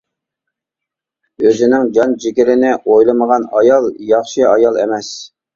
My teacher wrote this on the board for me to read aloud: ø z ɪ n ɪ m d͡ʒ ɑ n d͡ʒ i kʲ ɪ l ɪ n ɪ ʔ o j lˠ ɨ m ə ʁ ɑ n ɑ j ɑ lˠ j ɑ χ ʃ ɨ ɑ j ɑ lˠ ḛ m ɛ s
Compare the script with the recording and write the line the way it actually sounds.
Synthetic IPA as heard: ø z ɪ n ɪ ŋ d͡ʒ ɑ n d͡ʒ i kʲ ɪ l ɪ n ɪ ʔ o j lˠ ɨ m ə ʁ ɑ n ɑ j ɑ lˠ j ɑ χ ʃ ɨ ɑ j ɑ lˠ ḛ m ɛ s